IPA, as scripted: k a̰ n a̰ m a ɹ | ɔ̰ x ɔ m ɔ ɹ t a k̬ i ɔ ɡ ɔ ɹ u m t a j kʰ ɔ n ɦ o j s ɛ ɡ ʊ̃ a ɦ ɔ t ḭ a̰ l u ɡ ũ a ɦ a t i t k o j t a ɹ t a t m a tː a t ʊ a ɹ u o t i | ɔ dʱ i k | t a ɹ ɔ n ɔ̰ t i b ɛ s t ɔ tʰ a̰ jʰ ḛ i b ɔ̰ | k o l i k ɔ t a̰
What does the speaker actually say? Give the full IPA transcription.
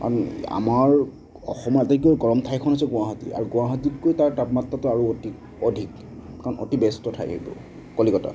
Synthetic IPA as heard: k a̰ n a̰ m a ɹ | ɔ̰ x ɔ m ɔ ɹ t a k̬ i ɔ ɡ ɔ ɹ ɔ m tʰ a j kʰ ɔ n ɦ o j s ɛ ɡ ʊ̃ a ɦ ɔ t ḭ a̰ ɹ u ɡ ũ a ɦ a t i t k o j t a ɹ t a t m a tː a t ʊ a ɹ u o t i | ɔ dʱ i k | k a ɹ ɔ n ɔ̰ t i b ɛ s t ɔ tʰ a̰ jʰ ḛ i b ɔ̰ | k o l i k ɔ t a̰